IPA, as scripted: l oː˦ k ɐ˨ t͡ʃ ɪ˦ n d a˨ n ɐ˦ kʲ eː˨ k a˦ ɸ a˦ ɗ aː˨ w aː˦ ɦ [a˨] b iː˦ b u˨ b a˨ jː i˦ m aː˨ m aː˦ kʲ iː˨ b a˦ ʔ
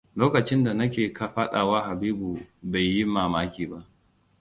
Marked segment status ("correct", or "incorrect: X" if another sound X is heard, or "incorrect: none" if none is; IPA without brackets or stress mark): correct